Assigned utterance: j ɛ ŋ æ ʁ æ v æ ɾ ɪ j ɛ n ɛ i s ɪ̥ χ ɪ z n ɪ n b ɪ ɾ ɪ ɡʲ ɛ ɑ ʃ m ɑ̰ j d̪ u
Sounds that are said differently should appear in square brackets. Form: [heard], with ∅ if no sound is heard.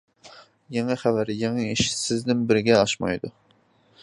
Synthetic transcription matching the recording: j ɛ ŋ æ [χ] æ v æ ɾ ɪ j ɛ [ŋ] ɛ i [ʃ] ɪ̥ [s] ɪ z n ɪ n b ɪ ɾ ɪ ɡʲ ɛ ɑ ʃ m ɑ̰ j d̪ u